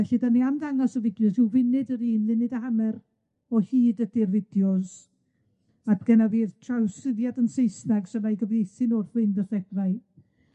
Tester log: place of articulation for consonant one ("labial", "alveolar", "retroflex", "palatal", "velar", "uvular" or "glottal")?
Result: alveolar